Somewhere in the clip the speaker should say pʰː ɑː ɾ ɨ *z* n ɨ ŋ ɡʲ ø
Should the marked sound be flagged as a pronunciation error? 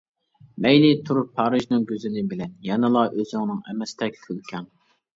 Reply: yes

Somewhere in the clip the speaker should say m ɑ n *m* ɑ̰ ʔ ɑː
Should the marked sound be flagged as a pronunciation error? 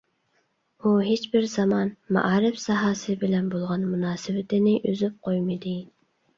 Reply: no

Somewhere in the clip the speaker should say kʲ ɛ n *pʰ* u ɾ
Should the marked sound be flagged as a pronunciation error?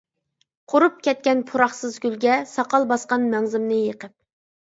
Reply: no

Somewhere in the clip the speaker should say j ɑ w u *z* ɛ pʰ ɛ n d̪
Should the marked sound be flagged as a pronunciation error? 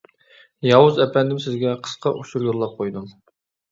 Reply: no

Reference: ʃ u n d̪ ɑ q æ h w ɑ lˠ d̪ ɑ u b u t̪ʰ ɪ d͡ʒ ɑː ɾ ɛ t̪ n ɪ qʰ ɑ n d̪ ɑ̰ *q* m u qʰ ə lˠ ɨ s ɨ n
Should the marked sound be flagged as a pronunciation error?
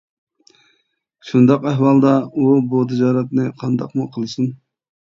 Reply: no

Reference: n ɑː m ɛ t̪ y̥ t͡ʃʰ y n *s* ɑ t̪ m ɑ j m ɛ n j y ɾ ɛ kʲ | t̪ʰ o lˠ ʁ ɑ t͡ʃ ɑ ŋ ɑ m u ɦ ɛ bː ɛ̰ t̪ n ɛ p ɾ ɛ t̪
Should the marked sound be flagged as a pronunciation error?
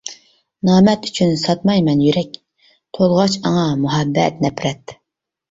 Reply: no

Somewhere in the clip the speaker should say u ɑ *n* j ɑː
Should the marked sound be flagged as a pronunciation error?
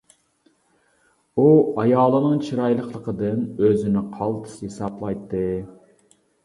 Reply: yes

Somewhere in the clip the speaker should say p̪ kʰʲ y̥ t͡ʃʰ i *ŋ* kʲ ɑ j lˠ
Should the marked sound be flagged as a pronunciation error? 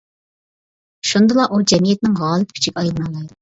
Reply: yes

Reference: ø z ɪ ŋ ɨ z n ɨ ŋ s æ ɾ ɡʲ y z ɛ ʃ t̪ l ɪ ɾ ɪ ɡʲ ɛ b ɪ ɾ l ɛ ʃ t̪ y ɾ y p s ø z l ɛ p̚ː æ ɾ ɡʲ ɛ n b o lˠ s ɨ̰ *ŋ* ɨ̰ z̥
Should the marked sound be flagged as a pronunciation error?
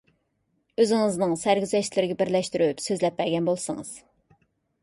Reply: no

